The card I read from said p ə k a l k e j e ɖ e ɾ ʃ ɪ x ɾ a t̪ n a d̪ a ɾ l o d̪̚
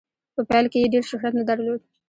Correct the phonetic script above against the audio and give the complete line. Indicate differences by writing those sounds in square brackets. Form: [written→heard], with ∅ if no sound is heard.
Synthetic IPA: p ə [k→p] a l k e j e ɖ e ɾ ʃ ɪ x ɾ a t̪ n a d̪ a ɾ l o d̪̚